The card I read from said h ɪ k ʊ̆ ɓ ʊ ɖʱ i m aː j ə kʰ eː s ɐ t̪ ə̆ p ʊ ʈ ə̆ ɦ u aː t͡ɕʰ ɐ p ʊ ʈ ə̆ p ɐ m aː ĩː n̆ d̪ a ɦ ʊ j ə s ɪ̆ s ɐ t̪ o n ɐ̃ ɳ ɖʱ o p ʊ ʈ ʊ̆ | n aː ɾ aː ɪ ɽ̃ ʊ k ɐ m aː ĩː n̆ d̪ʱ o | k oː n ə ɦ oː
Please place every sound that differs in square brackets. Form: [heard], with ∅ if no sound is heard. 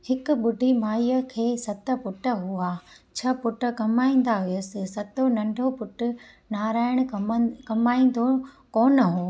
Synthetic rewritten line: h ɪ k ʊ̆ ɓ ʊ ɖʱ i m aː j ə kʰ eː s ɐ t̪ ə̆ p ʊ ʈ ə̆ ɦ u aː t͡ɕʰ ɐ p ʊ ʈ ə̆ [k] ɐ m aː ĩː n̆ d̪ a ɦ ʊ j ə s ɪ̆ s ɐ t̪ o n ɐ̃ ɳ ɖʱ o p ʊ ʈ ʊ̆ | n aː ɾ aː ɪ ɽ̃ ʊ k ɐ m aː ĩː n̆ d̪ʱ o | k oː n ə ɦ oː